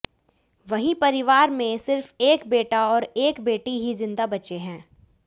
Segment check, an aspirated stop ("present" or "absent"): absent